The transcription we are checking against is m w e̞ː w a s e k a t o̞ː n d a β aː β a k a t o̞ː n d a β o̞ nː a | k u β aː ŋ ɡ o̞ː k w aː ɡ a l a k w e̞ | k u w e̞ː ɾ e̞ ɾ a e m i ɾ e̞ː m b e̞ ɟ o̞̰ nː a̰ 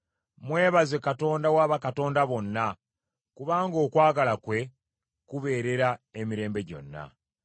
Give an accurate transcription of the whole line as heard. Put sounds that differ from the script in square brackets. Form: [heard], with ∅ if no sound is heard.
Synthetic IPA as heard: m w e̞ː [β] a [z] e k a t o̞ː n d a [w] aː β a k a t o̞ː n d a β o̞ nː a | k u β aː ŋ ɡ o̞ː k w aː ɡ a l a k w e̞ | k u [β] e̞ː ɾ e̞ ɾ a e m i ɾ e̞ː m b e̞ ɟ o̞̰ nː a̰